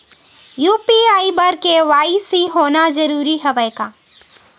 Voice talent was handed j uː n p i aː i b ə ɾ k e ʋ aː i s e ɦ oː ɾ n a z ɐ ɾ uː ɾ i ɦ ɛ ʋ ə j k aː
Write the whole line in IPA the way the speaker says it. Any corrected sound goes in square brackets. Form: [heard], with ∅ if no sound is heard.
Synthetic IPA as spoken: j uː [∅] p i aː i b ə ɾ k e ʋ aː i s [i] ɦ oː [∅] n a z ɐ ɾ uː ɾ i ɦ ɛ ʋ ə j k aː